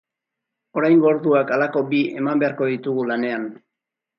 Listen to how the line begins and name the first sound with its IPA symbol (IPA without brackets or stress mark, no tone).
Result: o̞